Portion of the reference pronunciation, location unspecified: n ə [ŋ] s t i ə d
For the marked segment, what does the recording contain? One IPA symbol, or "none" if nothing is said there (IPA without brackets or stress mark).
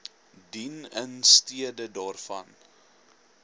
n